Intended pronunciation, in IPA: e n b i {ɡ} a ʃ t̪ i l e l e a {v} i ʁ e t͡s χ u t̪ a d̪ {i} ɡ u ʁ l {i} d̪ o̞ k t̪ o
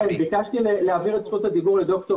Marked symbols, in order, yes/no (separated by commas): no, yes, yes, no